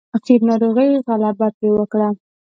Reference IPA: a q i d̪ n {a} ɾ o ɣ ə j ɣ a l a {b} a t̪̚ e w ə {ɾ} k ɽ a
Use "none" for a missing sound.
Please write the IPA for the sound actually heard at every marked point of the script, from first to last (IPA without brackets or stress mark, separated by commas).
ɑ, b, none